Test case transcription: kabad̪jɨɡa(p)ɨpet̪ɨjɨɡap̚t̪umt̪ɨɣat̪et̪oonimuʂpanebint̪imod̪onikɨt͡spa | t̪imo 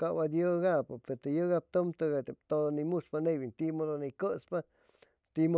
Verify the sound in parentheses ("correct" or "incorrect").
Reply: correct